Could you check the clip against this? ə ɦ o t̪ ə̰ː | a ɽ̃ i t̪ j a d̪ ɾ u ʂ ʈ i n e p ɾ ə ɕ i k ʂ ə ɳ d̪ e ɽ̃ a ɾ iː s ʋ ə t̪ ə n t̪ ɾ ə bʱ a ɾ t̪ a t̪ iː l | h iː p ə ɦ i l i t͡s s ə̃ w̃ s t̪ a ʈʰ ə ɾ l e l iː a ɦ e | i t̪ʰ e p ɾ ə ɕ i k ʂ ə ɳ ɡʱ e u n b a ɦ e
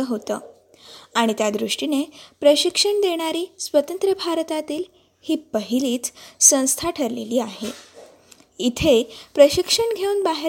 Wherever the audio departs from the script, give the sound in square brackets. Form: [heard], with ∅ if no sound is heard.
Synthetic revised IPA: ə ɦ o t̪ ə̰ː | a ɽ̃ i t̪ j a d̪ ɾ u ʂ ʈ i n e p ɾ ə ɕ i k ʂ ə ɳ d̪ e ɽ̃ a ɾ iː s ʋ ə t̪ ə n t̪ ɾ ə bʱ a ɾ t̪ a t̪ iː l | h iː p ə ɦ i l [iː] t͡s s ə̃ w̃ s [t̪ʰ] a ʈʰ ə ɾ l e l iː a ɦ e | i t̪ʰ e p ɾ ə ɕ i k ʂ ə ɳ ɡʱ e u n b a ɦ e